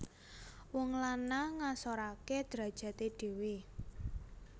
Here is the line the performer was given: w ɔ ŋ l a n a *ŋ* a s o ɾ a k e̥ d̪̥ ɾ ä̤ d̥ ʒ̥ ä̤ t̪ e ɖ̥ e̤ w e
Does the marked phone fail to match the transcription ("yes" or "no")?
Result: no